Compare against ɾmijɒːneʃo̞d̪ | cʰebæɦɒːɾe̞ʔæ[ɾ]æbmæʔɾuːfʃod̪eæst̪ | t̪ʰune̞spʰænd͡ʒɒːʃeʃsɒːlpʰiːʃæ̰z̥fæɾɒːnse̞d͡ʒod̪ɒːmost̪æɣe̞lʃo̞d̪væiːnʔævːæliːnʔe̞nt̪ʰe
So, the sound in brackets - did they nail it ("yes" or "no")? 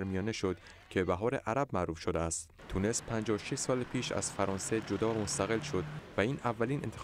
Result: yes